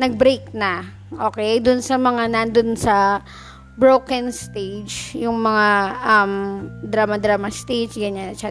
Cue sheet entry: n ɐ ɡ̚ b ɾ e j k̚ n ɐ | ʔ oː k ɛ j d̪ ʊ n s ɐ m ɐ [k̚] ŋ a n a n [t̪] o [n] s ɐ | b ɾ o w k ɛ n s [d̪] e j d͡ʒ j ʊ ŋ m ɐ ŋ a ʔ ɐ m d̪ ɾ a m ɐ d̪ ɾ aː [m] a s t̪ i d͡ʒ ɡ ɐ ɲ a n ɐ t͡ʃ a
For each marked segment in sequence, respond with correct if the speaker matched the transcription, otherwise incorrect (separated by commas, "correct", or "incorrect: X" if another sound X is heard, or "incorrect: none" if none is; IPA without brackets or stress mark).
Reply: incorrect: none, incorrect: d̪, correct, incorrect: t̪, correct